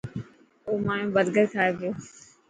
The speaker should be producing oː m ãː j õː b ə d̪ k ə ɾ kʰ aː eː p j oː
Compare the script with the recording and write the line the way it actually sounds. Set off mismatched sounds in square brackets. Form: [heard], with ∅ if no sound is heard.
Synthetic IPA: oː m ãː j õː b ə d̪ [ɡ] ə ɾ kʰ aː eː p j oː